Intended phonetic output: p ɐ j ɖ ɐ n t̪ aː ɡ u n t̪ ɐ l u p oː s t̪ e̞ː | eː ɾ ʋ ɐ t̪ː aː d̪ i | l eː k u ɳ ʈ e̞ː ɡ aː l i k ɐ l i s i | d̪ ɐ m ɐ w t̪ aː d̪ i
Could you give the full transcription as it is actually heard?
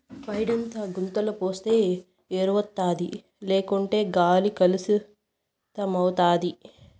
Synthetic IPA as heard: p ɐ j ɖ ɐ n t̪ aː ɡ u n t̪ ɐ l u p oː s t̪ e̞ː | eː ɾ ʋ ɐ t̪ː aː d̪ i | l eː k u ɳ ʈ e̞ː ɡ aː l i k ɐ l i s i | t̪ ɐ m ɐ w t̪ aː d̪ i